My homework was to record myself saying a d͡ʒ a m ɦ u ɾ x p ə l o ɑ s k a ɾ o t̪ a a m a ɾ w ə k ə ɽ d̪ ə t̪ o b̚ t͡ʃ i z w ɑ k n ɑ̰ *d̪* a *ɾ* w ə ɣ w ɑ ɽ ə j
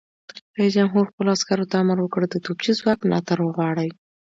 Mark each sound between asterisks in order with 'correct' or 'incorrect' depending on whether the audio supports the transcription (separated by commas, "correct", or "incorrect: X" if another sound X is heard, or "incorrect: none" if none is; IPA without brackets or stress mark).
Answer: incorrect: t̪, correct